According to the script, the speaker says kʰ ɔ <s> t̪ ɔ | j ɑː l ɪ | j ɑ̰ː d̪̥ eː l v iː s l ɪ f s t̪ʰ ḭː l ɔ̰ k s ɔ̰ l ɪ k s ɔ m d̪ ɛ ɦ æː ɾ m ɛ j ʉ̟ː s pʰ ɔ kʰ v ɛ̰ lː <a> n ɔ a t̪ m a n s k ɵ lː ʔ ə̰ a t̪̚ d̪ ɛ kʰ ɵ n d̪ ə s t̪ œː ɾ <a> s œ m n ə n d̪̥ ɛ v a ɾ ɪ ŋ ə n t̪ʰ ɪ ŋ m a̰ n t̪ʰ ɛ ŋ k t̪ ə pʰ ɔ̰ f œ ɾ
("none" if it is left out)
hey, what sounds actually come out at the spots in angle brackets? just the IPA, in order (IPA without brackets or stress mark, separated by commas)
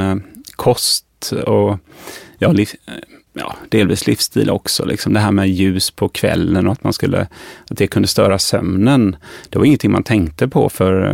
s, ə, a